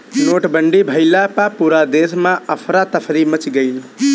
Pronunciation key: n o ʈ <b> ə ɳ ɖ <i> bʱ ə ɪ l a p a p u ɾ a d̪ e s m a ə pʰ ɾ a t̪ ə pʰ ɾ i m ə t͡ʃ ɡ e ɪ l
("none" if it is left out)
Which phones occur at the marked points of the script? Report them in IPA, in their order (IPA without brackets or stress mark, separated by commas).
b, i